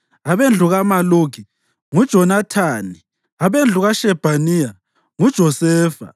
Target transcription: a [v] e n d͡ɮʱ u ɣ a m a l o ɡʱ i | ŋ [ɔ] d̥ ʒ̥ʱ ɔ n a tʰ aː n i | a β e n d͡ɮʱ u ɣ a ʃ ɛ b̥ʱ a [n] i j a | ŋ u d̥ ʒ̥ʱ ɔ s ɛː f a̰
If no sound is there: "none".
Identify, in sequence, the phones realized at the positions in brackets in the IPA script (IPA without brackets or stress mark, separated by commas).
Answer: β, u, n